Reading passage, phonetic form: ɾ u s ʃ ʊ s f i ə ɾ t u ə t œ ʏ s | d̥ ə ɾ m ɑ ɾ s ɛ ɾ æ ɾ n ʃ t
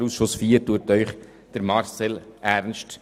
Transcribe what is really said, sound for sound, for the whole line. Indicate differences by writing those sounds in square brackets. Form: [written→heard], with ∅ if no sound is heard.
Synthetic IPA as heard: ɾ u s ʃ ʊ s f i ə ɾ t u ə t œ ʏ [s→χ] | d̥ ə ɾ m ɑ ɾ s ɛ [ɾ→l] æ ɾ n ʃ t

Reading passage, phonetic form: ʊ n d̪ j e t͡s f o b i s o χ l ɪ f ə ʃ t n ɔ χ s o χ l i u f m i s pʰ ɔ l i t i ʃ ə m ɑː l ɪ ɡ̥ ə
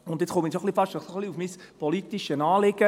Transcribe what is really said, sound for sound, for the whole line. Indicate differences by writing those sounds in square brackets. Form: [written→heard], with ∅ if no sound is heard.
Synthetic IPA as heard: ʊ n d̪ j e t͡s [f→χ] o [b→m] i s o χ l [ɪ→i] f [ə→ɑ] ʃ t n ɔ χ s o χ l i u f m i s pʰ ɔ l i t i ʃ ə [m→n] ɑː l ɪ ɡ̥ ə

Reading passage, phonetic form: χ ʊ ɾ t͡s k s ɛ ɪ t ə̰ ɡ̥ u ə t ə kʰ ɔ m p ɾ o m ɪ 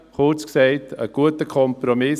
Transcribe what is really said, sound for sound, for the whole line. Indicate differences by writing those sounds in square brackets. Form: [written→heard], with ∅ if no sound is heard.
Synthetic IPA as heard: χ ʊ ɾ t͡s k s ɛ ɪ t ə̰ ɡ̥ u ə t ə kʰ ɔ m p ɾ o m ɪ

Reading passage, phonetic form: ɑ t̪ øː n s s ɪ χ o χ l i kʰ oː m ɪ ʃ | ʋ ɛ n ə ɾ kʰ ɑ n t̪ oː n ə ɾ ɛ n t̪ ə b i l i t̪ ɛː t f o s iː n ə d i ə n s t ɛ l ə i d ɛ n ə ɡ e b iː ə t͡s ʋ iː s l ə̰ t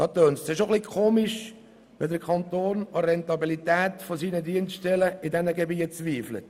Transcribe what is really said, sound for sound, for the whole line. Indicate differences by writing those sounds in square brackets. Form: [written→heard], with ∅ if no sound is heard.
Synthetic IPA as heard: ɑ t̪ øː n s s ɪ [χ→ʃ] o χ l i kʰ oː m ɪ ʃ | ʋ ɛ [n→d] ə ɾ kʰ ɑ n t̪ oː n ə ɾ ɛ n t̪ [ə→ɑ] b i l i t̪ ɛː t f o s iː n ə d i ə n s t ɛ l ə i d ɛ n ə ɡ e b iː ə t͡s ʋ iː [s→f] l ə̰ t

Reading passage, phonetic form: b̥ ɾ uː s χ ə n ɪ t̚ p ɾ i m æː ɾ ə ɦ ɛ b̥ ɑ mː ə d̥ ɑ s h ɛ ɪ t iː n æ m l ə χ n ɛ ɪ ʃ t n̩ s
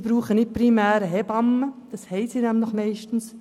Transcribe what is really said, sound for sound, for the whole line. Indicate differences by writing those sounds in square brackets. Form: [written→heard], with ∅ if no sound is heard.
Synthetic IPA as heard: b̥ ɾ uː [s→∅] χ ə n ɪ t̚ p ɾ i m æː ɾ ə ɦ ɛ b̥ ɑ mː ə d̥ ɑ s h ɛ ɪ [t→s] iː n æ m l ə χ [n→m] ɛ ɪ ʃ t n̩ s

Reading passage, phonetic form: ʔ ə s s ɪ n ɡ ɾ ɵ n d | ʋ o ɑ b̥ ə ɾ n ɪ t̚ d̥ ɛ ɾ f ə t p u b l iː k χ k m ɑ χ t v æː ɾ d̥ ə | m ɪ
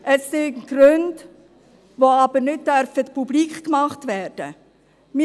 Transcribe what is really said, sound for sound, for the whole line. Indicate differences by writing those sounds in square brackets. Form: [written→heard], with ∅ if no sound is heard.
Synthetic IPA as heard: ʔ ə s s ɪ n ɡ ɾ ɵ n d | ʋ o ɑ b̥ ə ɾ n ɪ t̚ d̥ [ɛ→œ] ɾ f ə t p u b l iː k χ k m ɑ χ t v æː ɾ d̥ ə | m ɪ

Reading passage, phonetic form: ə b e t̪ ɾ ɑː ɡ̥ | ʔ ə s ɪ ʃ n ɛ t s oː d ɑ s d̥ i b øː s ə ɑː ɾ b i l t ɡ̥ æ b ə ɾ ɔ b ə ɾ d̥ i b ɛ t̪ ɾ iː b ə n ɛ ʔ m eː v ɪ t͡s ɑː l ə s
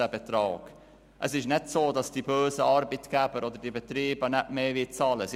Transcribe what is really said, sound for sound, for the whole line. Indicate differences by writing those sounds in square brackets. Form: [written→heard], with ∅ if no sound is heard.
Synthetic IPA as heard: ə b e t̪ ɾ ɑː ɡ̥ | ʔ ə s ɪ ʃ n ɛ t s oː d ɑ s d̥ i b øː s ə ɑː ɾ b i [l→∅] t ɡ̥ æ b ə ɾ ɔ [b→d] ə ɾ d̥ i b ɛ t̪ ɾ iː b ə n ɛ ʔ m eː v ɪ t͡s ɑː l ə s

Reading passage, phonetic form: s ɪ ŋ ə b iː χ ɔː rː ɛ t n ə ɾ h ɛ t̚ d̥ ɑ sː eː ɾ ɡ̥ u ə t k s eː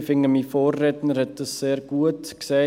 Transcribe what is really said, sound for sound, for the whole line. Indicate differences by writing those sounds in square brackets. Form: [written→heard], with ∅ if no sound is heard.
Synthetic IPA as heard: [s→f] ɪ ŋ ə [b→m] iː [χ→f] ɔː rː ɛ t n ə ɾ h ɛ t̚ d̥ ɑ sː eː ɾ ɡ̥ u ə t k s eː

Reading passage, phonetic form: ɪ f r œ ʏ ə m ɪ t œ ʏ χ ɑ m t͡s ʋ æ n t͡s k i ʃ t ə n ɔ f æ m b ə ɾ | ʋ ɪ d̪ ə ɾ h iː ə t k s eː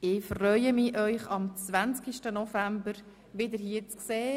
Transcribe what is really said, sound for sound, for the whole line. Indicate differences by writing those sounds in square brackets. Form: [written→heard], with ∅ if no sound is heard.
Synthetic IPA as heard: ɪ f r œ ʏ ə m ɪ [t→ʔ] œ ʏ χ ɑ m t͡s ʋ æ n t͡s k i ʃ t ə n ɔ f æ m b ə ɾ | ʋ ɪ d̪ ə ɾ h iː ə [t→t͡s] k s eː

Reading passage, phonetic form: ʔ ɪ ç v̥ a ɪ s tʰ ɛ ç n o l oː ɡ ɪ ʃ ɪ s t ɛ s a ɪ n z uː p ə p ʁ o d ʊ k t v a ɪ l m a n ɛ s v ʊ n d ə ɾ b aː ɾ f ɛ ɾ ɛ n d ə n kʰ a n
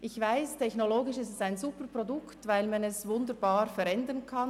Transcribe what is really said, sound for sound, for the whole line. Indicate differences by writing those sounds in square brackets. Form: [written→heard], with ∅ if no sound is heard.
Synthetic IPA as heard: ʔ ɪ ç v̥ a ɪ s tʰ ɛ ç n o l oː ɡ ɪ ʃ ɪ s t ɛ s a ɪ n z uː p ə p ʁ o d ʊ k t v a ɪ l m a n ɛ s v ʊ n d ə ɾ b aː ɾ f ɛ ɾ ɛ n d ə n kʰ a n

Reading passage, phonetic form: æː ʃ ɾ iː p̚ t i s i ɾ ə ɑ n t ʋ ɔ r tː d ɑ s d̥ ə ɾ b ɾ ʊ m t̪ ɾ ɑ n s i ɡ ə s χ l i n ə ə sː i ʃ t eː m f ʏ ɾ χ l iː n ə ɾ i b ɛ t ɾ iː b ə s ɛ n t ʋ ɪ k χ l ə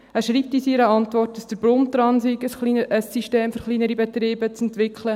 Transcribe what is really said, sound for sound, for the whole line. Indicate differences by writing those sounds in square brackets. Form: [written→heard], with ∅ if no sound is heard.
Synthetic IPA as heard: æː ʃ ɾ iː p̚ t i s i ɾ ə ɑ n t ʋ ɔ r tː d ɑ s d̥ ə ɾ b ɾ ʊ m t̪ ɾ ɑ n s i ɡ ə s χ l i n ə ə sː i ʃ t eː m f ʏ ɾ χ l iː n ə ɾ i b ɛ t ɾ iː b ə [s→t͡s] ɛ n t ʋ ɪ k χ l ə

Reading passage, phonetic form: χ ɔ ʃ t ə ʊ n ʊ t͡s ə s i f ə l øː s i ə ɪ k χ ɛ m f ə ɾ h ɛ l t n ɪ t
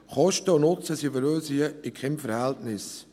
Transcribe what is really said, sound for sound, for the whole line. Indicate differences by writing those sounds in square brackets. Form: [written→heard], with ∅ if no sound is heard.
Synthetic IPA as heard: χ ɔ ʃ t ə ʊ n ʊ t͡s ə s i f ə [l→ɾ] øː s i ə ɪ k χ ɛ m f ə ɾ h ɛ l t n ɪ [t→s]

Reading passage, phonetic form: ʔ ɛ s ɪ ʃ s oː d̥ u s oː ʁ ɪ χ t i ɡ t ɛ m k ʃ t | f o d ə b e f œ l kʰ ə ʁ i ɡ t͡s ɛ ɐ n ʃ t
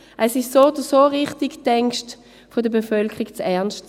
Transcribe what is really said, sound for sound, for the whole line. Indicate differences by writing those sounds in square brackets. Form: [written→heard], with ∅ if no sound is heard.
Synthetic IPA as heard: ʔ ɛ s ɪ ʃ s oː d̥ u s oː ʁ ɪ χ t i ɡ t ɛ [m→ŋ] k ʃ t | f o d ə b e f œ l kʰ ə ʁ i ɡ t͡s ɛ ɐ n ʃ t

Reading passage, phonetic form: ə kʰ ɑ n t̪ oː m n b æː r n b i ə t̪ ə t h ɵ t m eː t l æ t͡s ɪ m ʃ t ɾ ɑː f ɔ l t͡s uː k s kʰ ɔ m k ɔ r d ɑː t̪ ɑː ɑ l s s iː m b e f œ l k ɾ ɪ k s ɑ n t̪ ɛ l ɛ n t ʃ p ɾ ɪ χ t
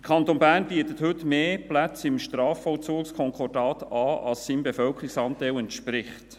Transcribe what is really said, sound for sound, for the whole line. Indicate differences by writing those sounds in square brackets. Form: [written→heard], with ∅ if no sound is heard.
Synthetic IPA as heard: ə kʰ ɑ n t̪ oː [m→∅] n b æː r n b i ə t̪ ə t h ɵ t m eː [t→p] l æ t͡s ɪ m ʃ t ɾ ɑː f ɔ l t͡s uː k s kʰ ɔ [m→ŋ] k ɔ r d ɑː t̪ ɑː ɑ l s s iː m b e f œ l k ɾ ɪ k s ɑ n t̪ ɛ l ɛ n t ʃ p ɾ ɪ χ t

